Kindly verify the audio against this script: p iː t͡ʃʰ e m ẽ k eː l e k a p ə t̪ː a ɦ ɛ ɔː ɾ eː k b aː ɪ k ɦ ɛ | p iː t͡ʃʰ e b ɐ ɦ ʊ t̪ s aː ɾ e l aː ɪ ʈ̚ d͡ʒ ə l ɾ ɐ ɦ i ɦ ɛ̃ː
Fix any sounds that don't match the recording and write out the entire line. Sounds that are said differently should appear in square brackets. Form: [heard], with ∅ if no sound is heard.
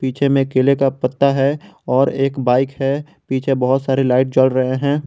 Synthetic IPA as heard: p iː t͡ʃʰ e m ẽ k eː l e k a p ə t̪ː a ɦ ɛ ɔː ɾ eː k b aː ɪ k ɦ ɛ | p iː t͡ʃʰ e b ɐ ɦ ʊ t̪ s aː ɾ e l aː ɪ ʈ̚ d͡ʒ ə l ɾ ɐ ɦ [e] ɦ ɛ̃ː

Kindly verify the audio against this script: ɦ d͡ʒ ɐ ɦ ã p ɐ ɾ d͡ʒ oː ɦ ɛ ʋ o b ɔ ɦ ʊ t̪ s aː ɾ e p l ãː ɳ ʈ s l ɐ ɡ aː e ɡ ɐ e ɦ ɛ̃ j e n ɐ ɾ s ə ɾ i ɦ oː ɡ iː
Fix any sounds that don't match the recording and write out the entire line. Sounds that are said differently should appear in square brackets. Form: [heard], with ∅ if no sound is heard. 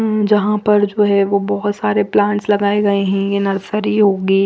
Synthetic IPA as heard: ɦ d͡ʒ ɐ ɦ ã p ɐ ɾ d͡ʒ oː ɦ ɛ ʋ o b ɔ ɦ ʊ t̪ s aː ɾ e p l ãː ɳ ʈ s l ɐ ɡ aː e ɡ ɐ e ɦ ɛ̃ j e n ɐ ɾ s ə ɾ i ɦ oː ɡ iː

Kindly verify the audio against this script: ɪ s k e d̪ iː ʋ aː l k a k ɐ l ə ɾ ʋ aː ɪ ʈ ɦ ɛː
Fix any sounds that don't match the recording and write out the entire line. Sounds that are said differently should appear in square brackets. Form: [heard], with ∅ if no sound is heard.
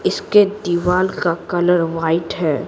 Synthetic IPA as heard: ɪ s k e d̪ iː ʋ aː l k a k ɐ l ə ɾ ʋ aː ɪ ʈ ɦ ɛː

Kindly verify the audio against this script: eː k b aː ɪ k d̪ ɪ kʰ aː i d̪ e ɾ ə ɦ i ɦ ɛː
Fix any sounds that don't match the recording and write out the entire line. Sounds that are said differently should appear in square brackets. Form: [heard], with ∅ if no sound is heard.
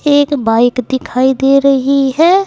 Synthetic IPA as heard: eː k b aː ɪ k d̪ ɪ kʰ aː i d̪ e ɾ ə ɦ i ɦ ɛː

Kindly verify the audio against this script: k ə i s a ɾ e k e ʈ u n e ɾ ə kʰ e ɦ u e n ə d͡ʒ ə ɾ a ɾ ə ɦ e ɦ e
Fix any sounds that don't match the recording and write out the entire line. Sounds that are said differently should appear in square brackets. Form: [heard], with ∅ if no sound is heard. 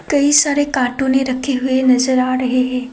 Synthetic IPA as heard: k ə i s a ɾ e k [a] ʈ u n e ɾ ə kʰ e ɦ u e n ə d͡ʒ ə ɾ a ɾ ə ɦ e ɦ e

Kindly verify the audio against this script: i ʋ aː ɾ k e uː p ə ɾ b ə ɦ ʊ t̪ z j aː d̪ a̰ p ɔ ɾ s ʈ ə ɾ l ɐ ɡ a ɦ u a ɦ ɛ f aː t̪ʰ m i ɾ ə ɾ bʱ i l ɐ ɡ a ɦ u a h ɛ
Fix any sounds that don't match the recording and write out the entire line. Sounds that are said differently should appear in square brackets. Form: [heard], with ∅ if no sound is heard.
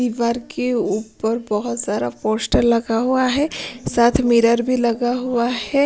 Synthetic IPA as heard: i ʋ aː ɾ k e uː p ə ɾ b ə ɦ ʊ t̪ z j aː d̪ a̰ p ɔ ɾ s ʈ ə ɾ l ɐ ɡ a ɦ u a ɦ ɛ [s] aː t̪ʰ m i ɾ ə ɾ bʱ i l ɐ ɡ a ɦ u a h ɛ

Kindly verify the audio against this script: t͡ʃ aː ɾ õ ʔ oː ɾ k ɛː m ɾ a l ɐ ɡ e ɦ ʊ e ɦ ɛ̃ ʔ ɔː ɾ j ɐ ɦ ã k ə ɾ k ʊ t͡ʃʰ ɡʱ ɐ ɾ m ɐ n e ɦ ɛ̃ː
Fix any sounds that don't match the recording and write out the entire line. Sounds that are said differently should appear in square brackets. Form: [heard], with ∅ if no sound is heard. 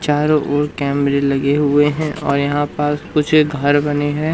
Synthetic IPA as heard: t͡ʃ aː ɾ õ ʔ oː ɾ k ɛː m ɾ [e] l ɐ ɡ e ɦ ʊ e ɦ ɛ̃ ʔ ɔː ɾ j ɐ ɦ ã [p] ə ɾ k ʊ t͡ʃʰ ɡʱ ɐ ɾ [b] ɐ n e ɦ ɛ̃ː

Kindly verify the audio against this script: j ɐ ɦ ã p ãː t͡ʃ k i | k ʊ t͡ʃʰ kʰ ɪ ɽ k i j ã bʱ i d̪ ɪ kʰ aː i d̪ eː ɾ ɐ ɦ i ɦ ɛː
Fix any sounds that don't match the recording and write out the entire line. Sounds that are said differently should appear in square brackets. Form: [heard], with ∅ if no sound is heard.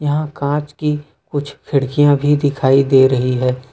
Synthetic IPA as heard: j ɐ ɦ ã [k] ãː t͡ʃ k i | k ʊ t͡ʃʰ kʰ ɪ ɽ k i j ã bʱ i d̪ ɪ kʰ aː i d̪ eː ɾ ɐ ɦ i ɦ ɛː

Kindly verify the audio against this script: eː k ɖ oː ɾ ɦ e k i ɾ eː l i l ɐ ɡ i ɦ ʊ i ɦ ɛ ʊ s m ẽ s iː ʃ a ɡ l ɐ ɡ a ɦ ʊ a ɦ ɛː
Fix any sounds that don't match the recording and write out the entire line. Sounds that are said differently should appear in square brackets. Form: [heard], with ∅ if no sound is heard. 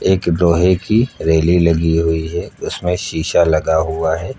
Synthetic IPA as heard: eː k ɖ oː [∅] ɦ e k i ɾ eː l i l ɐ ɡ i ɦ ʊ i ɦ ɛ ʊ s m ẽ [ʃ] iː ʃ a [∅] l ɐ ɡ a ɦ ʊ a ɦ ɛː

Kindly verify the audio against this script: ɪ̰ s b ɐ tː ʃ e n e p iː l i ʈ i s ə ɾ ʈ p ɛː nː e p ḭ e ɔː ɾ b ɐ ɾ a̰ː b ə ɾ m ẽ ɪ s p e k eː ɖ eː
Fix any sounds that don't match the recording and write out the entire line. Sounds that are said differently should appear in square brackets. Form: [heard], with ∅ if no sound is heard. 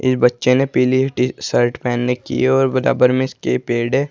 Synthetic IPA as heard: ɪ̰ s b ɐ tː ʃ e n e p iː l i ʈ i s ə ɾ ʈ p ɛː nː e [k] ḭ e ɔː ɾ b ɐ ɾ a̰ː b ə ɾ m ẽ ɪ s [k] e [p] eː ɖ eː

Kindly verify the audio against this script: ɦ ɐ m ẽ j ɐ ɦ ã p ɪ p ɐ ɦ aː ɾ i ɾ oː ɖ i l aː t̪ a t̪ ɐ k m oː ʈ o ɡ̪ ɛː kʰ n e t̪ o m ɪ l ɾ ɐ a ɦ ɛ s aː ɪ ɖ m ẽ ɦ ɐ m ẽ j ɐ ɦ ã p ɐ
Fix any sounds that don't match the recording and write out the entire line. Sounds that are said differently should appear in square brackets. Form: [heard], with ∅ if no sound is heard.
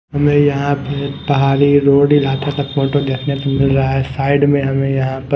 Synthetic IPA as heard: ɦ ɐ m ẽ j ɐ ɦ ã p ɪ p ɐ ɦ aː ɾ i ɾ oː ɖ i l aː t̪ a t̪ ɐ k m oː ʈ o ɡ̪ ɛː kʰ n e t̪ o m ɪ l ɾ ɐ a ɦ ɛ s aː ɪ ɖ m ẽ ɦ ɐ m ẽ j ɐ ɦ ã p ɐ

